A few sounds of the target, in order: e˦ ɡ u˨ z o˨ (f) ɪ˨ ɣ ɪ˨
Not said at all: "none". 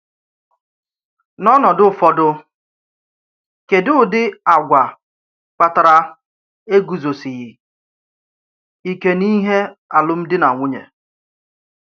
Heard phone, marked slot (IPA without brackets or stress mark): s